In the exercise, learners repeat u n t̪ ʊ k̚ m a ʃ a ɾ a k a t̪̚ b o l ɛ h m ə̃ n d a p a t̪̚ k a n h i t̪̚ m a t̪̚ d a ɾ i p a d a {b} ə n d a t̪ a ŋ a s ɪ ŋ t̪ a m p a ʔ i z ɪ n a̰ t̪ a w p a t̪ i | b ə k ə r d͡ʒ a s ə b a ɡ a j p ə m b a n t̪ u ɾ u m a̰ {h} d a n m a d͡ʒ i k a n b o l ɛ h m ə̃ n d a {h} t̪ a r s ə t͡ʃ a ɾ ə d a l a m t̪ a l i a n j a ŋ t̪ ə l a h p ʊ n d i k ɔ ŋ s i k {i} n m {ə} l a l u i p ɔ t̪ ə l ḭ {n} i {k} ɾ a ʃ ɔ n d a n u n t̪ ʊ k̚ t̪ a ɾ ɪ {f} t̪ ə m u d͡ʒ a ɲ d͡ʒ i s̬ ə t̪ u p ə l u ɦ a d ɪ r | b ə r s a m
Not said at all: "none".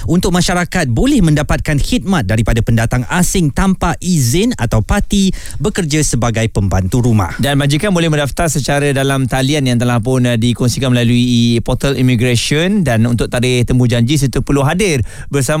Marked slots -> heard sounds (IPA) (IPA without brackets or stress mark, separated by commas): p, h, f, a, ə, m, ɡ, h